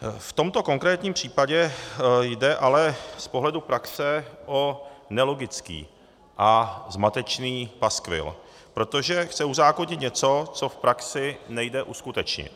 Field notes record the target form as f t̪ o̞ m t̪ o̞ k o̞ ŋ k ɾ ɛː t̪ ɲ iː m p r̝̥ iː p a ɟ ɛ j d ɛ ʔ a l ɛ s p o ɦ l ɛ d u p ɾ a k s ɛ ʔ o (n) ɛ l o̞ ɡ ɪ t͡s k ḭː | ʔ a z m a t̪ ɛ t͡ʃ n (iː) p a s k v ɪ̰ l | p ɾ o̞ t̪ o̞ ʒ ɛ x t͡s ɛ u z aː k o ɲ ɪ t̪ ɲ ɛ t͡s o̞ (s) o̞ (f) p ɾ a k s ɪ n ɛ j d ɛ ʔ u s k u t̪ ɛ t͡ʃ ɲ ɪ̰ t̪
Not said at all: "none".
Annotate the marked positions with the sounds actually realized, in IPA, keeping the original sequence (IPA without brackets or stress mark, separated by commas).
n, iː, t͡s, f